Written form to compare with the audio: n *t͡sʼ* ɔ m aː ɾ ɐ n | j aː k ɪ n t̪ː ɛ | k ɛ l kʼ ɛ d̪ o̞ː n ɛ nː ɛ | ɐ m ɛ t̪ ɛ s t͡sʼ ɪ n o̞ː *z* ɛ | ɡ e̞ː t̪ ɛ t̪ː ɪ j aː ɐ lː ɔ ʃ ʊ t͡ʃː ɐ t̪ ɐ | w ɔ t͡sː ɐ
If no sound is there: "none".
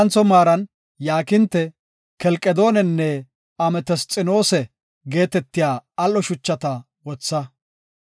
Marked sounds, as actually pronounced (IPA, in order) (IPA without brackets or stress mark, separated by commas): t͡s, s